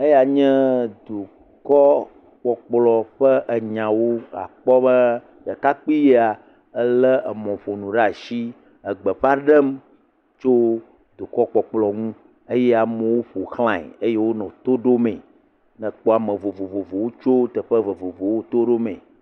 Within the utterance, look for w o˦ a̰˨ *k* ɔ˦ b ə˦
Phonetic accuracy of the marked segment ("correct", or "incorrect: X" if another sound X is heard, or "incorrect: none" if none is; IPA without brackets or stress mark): incorrect: k͡p